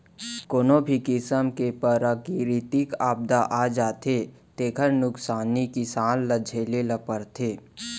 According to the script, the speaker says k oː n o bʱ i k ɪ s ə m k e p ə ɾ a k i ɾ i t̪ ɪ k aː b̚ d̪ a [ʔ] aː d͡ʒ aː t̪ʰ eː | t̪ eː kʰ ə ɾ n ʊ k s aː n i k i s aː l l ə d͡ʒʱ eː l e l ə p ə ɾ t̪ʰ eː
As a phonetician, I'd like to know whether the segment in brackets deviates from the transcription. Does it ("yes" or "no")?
no